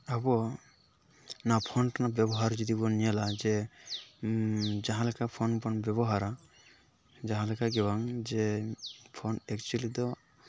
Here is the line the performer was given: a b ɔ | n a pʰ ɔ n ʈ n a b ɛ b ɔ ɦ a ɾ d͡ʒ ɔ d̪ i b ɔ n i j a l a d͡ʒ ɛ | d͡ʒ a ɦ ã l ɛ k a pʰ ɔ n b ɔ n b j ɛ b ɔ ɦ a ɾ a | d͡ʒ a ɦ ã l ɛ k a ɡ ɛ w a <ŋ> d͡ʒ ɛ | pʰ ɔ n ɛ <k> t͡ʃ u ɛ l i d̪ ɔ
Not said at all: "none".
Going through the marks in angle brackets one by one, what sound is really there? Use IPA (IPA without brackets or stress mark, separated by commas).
ŋ, k